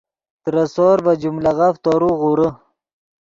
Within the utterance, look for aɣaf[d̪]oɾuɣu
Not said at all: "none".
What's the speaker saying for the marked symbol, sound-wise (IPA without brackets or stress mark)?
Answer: t̪